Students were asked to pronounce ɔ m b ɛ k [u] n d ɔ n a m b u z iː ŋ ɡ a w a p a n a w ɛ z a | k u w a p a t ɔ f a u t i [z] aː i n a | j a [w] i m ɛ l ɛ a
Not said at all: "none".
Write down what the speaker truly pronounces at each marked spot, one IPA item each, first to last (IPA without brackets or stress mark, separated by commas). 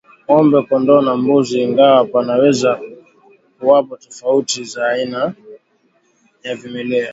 ɔ, z, v